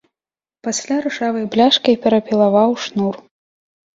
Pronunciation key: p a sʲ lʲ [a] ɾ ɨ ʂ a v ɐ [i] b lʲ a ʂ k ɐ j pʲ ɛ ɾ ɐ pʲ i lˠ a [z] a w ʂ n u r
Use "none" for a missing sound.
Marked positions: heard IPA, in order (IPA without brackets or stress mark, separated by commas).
a, j, v